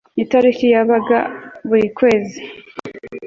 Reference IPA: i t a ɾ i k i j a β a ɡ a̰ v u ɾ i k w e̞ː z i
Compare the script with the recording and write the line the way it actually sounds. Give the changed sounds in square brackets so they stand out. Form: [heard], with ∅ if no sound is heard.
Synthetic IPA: i t a ɾ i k i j a β a ɡ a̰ [β] u ɾ i k w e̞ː z i